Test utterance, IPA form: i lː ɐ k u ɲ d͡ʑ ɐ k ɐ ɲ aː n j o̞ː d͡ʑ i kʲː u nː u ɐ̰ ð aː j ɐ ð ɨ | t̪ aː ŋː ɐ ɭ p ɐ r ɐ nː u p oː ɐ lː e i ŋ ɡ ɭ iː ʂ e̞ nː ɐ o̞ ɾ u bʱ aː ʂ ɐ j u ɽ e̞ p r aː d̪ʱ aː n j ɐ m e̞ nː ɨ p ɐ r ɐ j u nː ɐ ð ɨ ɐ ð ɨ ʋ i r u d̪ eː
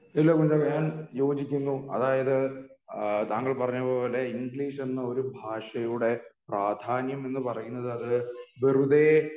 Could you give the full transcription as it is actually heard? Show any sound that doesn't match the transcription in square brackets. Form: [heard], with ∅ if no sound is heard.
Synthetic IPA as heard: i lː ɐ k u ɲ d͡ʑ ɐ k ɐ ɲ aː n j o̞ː d͡ʑ i kʲː u nː u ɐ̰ ð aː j ɐ ð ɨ | t̪ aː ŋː ɐ ɭ p ɐ r ɐ [ɲː] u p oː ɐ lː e i ŋ ɡ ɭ iː ʂ e̞ nː ɐ o̞ ɾ u bʱ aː ʂ ɐ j u ɽ e̞ p r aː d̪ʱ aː n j ɐ m e̞ nː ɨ p ɐ r ɐ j u nː ɐ ð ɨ ɐ ð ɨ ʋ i r u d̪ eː